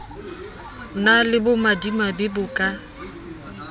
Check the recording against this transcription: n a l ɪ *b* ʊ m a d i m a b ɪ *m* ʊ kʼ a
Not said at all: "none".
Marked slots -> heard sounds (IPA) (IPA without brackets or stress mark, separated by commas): b, b